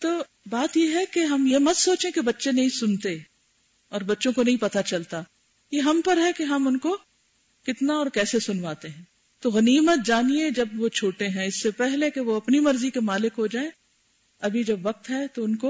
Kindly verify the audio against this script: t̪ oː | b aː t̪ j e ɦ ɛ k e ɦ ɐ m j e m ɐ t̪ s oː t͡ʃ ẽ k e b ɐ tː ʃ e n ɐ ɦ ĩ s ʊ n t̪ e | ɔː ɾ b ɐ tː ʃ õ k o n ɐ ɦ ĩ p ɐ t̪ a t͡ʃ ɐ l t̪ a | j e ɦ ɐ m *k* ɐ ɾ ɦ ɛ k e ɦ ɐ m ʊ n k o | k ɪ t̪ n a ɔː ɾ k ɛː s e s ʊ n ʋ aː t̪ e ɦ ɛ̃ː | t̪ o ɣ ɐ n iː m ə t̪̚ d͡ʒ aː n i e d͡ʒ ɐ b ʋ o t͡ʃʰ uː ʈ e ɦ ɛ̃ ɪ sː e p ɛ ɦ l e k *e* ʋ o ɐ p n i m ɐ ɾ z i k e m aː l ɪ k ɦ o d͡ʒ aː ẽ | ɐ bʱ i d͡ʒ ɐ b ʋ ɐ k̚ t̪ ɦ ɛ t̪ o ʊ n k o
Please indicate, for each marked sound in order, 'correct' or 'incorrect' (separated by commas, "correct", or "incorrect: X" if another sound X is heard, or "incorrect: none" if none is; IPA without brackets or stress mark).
incorrect: p, correct